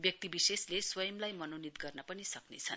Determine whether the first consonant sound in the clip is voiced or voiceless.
voiced